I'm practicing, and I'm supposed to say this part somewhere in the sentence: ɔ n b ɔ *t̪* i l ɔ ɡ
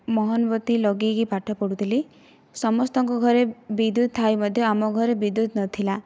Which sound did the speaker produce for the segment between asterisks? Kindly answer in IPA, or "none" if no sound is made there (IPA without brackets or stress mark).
t̪